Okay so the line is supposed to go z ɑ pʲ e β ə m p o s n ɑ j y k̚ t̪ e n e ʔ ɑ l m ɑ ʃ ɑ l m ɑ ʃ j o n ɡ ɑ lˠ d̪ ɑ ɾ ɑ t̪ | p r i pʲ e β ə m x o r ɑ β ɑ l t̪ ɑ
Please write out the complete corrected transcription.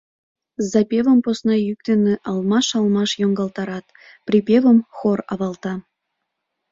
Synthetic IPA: z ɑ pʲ e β ə m p o s n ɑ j y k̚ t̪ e n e ʔ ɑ l m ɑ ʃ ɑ l m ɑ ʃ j o ŋ ɡ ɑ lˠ t̪ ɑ ɾ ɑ t̪ | p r i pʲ e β ə m x o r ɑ β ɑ l t̪ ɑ